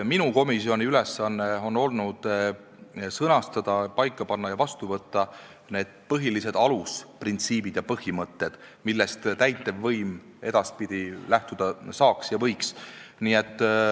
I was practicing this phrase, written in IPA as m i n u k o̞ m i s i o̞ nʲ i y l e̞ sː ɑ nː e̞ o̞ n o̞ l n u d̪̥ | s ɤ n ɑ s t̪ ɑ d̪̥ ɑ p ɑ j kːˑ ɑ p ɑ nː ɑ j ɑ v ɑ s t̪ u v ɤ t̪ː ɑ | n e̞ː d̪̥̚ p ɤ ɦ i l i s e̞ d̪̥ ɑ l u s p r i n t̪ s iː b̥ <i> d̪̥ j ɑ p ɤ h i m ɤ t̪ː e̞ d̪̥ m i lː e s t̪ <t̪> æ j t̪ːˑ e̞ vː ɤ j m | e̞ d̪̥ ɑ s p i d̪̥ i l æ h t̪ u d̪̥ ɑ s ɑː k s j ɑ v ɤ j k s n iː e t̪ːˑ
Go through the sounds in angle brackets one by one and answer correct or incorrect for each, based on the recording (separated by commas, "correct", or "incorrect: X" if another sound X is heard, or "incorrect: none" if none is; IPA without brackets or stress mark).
correct, correct